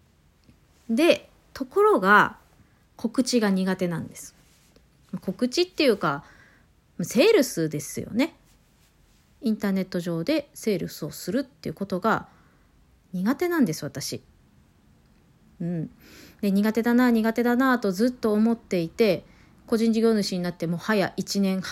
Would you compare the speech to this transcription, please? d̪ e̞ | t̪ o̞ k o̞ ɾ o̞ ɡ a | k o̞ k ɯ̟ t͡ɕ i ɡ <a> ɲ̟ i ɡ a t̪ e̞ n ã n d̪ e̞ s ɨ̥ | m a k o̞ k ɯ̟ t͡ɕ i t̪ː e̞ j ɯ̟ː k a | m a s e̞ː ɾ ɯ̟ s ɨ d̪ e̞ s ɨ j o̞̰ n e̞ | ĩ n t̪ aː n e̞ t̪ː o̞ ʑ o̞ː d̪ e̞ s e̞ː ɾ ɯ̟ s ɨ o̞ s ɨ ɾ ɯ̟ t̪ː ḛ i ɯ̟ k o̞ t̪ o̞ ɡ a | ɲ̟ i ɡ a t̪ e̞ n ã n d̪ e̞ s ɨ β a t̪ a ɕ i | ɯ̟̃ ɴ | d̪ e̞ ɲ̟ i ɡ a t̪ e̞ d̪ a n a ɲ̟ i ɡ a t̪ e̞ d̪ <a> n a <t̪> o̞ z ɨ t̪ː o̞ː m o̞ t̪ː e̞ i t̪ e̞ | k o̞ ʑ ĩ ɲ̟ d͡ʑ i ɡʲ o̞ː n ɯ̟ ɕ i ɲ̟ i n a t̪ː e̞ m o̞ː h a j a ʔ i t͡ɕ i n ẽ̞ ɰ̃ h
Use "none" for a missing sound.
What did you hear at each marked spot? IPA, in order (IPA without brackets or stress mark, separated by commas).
a, a, t̪